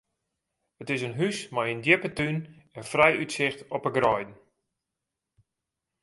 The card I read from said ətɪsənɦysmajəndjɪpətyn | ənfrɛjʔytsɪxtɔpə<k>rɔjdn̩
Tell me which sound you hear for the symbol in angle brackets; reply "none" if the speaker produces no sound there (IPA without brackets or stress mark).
ɡ